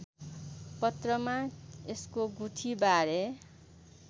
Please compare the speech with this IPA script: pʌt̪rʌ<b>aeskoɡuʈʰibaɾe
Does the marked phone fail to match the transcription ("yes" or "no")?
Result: yes